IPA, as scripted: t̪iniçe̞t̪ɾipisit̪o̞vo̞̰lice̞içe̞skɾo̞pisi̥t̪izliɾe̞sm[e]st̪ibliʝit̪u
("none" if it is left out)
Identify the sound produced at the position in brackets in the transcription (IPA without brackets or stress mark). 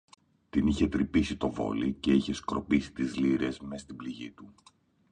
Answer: e